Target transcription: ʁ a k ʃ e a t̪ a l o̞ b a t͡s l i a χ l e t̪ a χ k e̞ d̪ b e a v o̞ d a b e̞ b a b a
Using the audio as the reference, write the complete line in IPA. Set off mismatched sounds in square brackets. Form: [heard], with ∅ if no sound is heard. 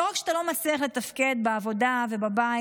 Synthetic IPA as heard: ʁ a k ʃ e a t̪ a l o̞ [m] a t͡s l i a χ l e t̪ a [f] k e̞ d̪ b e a v o̞ d a [v] e̞ b a b a